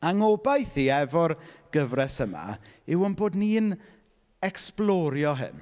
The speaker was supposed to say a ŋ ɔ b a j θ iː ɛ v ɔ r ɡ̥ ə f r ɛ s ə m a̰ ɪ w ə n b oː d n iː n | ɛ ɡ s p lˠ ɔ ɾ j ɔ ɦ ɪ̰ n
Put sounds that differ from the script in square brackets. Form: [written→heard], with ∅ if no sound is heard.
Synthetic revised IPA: a ŋ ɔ b a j θ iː ɛ v ɔ r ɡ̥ ə [f→v] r ɛ s ə m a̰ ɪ w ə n b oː d n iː n | ɛ [ɡ→k] s p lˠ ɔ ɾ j ɔ ɦ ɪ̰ n